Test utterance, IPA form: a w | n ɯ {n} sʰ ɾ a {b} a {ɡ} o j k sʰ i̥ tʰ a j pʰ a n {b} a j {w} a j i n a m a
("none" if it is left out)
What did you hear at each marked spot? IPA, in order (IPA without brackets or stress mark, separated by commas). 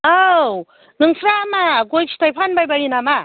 ŋ, m, ɡ, b, b